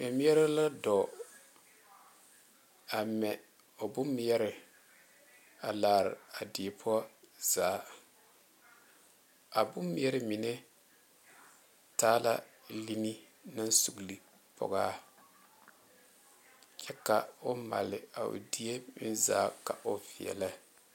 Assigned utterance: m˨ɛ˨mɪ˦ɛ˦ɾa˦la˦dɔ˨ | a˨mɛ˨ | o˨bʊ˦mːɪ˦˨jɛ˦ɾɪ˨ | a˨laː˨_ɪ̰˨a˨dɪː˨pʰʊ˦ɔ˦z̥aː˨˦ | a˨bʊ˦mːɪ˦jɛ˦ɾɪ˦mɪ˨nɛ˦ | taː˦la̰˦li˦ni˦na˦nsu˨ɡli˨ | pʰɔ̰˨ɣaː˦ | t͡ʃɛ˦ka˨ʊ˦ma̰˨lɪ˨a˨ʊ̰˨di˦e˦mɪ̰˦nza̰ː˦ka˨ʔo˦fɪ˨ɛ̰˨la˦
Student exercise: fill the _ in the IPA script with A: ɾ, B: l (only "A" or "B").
A